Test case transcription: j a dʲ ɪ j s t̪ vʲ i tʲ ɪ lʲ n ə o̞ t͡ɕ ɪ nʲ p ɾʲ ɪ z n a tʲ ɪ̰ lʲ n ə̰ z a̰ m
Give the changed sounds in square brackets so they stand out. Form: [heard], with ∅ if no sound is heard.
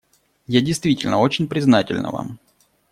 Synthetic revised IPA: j a dʲ ɪ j s t̪ vʲ i tʲ ɪ lʲ n ə o̞ t͡ɕ ɪ nʲ p ɾʲ ɪ z n a tʲ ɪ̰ lʲ n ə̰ [v] a̰ m